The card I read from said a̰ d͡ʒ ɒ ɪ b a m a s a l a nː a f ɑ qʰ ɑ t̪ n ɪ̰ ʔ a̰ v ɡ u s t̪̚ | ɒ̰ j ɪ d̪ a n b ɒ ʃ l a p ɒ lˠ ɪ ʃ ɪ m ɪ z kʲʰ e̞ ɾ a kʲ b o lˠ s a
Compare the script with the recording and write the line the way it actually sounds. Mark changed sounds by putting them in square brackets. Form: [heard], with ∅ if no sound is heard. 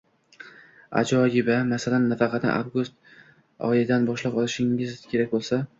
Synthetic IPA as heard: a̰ d͡ʒ ɒ ɪ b a m a s a l a nː a f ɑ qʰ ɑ t̪ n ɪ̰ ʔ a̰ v ɡ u s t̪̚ | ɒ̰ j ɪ d̪ a n b ɒ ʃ l a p ɒ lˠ ɪ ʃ ɪ [ŋ] ɪ z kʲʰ e̞ ɾ a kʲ b o lˠ s a